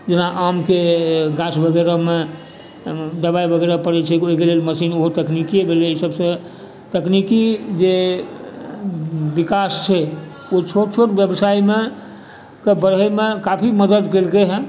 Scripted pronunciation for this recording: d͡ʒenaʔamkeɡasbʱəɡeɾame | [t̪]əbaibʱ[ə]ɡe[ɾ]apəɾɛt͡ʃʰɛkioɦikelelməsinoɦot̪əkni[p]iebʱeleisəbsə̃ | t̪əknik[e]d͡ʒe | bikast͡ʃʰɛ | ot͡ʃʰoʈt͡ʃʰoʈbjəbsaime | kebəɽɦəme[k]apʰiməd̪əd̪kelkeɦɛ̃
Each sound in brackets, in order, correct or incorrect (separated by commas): incorrect, correct, correct, incorrect, incorrect, correct